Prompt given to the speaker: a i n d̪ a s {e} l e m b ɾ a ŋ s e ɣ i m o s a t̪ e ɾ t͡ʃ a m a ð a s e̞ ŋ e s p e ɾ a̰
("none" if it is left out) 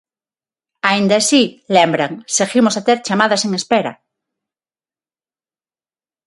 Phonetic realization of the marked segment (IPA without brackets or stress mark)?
i